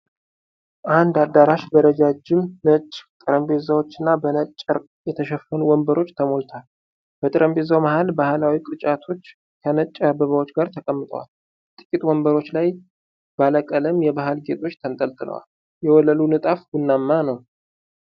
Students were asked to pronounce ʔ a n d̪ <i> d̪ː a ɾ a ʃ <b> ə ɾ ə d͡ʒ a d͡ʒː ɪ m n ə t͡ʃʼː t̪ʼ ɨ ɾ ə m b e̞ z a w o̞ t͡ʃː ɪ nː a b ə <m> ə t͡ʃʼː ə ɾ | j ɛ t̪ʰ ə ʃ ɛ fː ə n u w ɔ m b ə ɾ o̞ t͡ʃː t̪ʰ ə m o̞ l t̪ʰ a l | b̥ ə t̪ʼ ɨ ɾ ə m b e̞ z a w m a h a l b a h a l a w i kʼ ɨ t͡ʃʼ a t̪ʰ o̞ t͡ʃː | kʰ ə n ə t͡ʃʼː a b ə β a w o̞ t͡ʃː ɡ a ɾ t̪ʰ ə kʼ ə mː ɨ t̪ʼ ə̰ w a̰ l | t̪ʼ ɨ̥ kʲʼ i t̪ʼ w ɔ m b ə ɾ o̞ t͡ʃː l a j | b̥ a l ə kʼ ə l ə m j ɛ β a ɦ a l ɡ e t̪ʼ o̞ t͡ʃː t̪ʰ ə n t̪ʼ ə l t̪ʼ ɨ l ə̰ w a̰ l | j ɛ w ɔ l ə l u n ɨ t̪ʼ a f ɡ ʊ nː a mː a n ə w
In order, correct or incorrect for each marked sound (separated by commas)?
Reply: incorrect, correct, incorrect